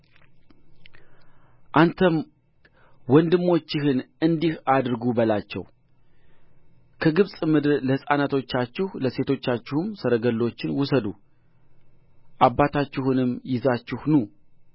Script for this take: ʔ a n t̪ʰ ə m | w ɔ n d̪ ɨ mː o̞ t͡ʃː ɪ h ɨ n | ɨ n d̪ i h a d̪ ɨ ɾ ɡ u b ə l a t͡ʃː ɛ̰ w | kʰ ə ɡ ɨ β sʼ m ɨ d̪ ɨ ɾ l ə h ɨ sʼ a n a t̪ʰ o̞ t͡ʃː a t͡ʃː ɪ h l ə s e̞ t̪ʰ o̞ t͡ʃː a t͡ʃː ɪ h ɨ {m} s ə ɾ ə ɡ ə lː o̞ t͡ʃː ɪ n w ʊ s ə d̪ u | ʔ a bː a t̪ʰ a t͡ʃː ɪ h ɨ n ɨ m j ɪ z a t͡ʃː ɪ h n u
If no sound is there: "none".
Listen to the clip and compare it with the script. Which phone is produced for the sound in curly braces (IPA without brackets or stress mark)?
m